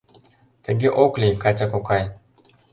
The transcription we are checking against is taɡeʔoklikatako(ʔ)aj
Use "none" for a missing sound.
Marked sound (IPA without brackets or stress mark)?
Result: k